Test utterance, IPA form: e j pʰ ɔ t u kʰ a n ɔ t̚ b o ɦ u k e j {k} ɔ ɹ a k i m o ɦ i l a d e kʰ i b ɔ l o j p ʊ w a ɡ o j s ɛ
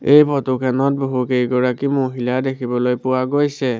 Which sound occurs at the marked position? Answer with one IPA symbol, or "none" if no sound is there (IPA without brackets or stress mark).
ɡ